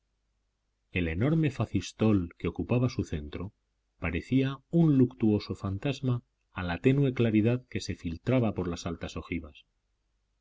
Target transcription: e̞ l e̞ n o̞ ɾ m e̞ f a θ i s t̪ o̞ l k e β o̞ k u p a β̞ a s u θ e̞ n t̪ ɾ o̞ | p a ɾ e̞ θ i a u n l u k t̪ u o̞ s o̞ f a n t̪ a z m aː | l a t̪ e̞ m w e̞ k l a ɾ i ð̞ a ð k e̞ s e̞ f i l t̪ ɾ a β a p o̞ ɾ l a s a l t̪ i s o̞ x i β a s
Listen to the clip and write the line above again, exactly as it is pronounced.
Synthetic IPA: e̞ l e̞ n o̞ ɾ m e̞ f a θ i s t̪ o̞ l k e o̞ k u p a β̞ a s u θ e̞ n t̪ ɾ o̞ | p a ɾ e̞ θ i a u n l u k t̪ u o̞ s o̞ f a n t̪ a z m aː | l a t̪ e̞ n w e̞ k l a ɾ i ð̞ a ð k e̞ s e̞ f i l t̪ ɾ a β a p o̞ ɾ l a s a l t̪ a s o̞ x i β a s

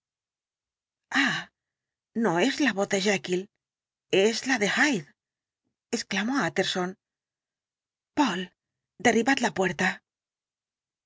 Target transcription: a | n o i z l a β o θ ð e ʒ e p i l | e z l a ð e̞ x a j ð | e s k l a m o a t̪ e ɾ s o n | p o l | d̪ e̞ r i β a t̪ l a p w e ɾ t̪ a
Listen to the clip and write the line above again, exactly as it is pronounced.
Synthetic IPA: a | n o e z l a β o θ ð e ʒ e k i l | e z l a ð e̞ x a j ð | e s k l a m o a t̪ e ɾ s o n | p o l | d̪ e̞ r i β a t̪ l a p w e ɾ t̪ a

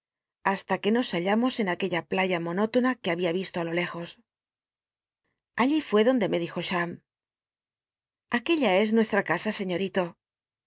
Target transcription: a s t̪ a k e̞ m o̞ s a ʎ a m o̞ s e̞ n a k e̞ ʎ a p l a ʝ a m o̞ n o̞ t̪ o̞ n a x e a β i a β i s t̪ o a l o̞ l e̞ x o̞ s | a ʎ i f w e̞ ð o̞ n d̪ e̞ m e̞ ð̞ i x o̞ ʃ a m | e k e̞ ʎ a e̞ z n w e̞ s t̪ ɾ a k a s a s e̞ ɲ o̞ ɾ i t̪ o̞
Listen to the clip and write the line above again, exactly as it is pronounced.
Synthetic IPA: a s t̪ a k e̞ n o̞ s a ʎ a m o̞ s e̞ n a k e̞ ʎ a p l a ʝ a m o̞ n o̞ t̪ o̞ n a k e a β i a β i s t̪ o a l o̞ l e̞ x o̞ s | a ʎ i f w e̞ ð o̞ n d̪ e̞ m e̞ ð̞ i x o̞ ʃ a m | a k e̞ ʎ a e̞ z n w e̞ s t̪ ɾ a k a s a s e̞ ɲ o̞ ɾ i t̪ o̞

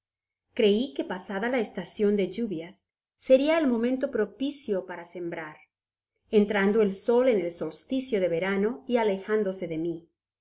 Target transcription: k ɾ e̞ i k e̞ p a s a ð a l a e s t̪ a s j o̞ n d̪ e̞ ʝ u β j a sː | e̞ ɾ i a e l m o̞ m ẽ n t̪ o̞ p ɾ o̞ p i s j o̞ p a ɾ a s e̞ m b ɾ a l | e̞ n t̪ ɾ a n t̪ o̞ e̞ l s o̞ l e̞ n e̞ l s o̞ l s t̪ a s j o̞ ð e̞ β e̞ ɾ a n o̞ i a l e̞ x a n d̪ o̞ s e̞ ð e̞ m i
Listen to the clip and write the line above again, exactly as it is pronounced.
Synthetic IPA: k ɾ e̞ i k e̞ p a s a ð a l a e s t̪ a s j o̞ n d̪ e̞ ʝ u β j a sː | e̞ ɾ i a e l m o̞ m ẽ n t̪ o̞ p ɾ o̞ p i s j o̞ p a ɾ a s e̞ m b ɾ a ɾ | e̞ n t̪ ɾ a n d̪ o̞ e̞ l s o̞ l e̞ n e̞ l s o̞ l s t̪ i s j o̞ ð e̞ β e̞ ɾ a n o̞ i a l e̞ x a n d̪ o̞ s e̞ ð e̞ m i

